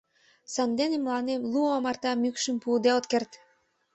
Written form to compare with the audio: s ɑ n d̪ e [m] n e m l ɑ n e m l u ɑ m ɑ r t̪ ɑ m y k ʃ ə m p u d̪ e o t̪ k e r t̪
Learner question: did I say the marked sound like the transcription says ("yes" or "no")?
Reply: no